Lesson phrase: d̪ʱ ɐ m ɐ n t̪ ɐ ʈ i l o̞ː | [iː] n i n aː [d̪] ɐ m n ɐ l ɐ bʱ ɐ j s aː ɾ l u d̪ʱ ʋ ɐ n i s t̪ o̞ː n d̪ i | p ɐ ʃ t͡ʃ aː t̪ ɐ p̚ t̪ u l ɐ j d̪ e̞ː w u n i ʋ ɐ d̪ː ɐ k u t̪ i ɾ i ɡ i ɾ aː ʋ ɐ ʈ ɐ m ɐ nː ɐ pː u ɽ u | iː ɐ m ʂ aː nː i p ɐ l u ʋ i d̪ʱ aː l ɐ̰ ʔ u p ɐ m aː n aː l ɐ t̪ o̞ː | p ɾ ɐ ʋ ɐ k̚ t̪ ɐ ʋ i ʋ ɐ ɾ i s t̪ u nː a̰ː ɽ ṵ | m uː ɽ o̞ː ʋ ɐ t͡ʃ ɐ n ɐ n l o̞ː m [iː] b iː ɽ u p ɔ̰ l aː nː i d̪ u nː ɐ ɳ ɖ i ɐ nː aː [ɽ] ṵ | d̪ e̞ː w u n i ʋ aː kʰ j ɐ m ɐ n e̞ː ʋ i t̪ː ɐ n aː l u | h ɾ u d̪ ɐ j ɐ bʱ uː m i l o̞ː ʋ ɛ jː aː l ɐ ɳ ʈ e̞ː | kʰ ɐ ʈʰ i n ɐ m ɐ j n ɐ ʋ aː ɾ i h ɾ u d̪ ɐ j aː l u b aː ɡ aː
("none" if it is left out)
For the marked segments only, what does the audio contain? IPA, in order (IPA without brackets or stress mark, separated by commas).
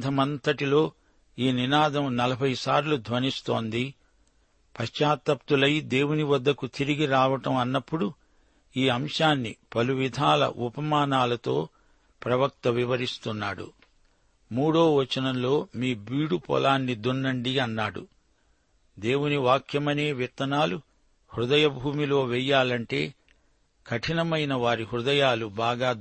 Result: iː, d̪, iː, ɽ